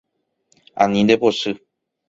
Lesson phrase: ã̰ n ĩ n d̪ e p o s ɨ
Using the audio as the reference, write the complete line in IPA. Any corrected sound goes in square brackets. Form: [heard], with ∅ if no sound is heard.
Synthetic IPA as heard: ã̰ n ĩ n d̪ e p o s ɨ